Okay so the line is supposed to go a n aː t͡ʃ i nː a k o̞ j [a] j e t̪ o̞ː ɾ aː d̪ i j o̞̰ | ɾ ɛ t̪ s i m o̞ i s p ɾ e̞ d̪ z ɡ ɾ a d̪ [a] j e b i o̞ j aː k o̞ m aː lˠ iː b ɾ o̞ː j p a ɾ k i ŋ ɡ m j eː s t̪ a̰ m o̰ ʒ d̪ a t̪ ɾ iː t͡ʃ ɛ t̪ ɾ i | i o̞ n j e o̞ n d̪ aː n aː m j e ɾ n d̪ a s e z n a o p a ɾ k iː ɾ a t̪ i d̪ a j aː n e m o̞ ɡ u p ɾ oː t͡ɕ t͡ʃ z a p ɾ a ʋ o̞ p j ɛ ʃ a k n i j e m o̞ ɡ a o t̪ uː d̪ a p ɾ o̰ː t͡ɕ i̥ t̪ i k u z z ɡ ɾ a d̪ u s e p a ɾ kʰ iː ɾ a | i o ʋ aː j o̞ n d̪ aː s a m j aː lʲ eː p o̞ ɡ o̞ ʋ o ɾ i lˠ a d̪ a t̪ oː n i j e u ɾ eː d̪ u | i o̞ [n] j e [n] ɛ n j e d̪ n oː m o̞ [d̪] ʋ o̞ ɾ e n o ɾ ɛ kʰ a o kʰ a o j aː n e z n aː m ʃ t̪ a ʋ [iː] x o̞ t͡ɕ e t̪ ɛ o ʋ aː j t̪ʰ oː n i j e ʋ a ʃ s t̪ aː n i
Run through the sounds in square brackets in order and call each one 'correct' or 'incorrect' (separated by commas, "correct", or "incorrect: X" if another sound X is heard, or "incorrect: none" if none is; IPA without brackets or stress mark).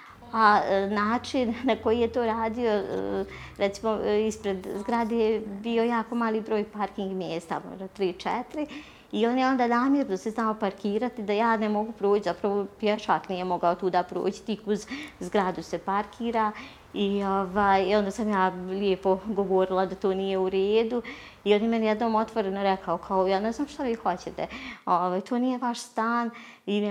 incorrect: i, incorrect: e, correct, incorrect: m, incorrect: t̪, correct